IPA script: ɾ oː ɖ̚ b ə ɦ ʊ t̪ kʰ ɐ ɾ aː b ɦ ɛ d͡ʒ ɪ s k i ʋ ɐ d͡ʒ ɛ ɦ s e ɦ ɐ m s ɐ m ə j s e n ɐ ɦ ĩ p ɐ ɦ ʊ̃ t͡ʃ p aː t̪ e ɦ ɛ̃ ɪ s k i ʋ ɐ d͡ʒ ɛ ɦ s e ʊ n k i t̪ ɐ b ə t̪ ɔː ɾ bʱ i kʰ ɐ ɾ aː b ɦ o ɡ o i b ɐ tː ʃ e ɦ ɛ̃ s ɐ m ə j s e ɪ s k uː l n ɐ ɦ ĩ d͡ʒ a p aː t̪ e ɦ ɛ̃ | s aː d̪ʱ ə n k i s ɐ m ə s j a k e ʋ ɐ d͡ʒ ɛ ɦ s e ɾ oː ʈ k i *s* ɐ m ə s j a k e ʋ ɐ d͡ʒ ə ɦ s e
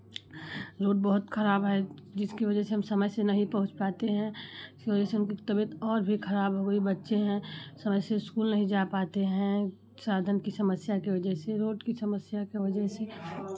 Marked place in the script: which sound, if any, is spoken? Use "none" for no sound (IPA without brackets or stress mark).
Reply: s